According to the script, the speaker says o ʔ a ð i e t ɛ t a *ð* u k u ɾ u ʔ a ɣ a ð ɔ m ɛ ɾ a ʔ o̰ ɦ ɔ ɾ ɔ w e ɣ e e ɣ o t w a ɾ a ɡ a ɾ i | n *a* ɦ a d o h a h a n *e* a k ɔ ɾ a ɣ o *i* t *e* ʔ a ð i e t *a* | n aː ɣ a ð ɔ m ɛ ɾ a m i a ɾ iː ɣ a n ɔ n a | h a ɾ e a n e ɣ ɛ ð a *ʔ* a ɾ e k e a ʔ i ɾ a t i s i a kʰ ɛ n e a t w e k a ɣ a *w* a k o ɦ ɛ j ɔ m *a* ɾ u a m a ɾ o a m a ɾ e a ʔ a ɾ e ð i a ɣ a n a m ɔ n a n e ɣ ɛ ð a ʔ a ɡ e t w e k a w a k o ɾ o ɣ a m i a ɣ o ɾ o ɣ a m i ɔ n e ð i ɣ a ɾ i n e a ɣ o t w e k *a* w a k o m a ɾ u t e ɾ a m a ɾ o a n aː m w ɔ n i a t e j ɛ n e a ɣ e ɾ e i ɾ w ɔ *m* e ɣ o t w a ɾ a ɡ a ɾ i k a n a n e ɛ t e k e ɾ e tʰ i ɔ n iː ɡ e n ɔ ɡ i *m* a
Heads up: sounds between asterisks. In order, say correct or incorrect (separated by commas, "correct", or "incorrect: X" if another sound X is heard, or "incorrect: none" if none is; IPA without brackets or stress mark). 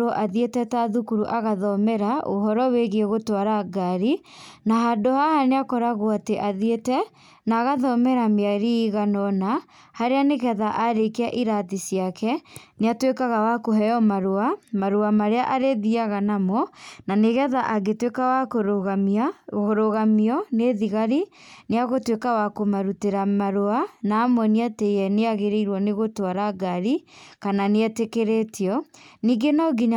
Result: correct, correct, correct, incorrect: a, correct, incorrect: ɛ, correct, correct, correct, correct, incorrect: n, incorrect: ɲ